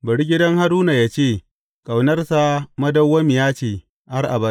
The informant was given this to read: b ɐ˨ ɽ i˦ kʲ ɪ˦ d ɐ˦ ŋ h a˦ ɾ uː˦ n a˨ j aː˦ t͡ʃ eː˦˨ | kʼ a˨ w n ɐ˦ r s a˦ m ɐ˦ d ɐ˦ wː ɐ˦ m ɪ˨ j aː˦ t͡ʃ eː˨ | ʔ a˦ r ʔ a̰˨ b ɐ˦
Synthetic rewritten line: b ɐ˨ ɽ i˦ ɡʲ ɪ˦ d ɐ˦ ŋ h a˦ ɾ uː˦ n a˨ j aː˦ t͡ʃ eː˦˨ | kʼ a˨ w n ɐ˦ r s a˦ m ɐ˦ d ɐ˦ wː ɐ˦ m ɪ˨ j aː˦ t͡ʃ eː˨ | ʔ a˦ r ʔ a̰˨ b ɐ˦